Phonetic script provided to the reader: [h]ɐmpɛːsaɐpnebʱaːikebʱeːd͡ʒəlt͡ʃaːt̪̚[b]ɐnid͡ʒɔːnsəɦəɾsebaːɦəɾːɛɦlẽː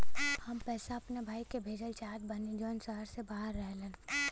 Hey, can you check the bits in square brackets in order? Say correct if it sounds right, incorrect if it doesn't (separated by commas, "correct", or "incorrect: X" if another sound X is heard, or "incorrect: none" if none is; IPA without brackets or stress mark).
correct, correct